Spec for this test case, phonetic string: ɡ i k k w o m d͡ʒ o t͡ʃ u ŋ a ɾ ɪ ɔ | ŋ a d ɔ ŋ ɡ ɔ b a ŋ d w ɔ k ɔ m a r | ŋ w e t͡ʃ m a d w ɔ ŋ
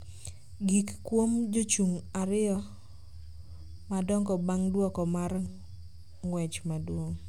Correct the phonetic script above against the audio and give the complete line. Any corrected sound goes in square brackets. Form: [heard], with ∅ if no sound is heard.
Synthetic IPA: ɡ i k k w o m d͡ʒ o t͡ʃ u ŋ a ɾ ɪ ɔ | [m] a d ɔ ŋ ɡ ɔ b a ŋ d w ɔ k ɔ m a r | ŋ w [ɛ] t͡ʃ m a d w [o] ŋ